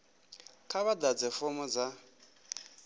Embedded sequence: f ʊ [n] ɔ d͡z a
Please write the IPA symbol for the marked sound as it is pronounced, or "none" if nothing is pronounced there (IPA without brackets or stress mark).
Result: m